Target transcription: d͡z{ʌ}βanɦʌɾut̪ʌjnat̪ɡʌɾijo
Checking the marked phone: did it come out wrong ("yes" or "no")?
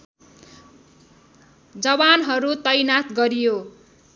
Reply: no